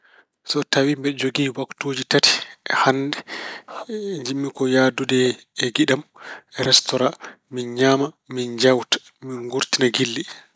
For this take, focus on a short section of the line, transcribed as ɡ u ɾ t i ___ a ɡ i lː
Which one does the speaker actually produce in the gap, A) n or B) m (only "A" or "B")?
A